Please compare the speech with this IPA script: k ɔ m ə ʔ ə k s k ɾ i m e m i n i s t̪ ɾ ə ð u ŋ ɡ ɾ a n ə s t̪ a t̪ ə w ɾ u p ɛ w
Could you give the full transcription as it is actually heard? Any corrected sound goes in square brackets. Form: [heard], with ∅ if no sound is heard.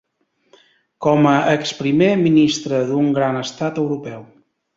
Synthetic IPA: k ɔ m ə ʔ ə k s [p] ɾ i m e m i n i s t̪ ɾ ə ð u ŋ ɡ ɾ a n ə s t̪ a t̪ ə w ɾ u p ɛ w